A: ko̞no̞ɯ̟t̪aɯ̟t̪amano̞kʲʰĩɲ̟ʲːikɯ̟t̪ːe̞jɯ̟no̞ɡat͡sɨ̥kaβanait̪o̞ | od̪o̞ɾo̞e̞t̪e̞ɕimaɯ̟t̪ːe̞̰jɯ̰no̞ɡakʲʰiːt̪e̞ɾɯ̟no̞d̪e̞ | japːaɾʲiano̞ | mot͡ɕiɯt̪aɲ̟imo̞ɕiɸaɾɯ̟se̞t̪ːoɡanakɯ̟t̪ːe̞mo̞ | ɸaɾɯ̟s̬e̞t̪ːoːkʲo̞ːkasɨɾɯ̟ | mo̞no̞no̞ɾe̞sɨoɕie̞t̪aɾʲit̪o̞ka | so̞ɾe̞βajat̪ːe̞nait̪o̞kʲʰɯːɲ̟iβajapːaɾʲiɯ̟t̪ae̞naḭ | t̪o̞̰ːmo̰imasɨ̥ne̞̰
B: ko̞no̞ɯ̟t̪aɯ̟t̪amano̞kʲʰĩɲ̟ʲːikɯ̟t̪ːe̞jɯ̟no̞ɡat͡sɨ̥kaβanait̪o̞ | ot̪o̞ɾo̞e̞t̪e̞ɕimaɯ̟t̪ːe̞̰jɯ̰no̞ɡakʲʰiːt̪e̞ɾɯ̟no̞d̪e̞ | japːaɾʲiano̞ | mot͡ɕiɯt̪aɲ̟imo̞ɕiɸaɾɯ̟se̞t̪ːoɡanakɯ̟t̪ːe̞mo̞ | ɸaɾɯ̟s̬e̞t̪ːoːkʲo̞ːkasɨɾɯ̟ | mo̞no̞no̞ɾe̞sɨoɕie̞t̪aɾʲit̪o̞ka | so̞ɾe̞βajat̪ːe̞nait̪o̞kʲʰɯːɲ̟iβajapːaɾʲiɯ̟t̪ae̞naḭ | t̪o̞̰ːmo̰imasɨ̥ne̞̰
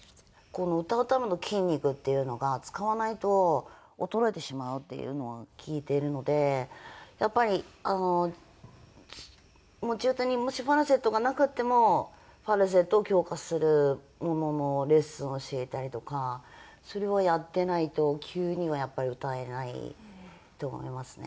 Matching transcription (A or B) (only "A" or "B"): B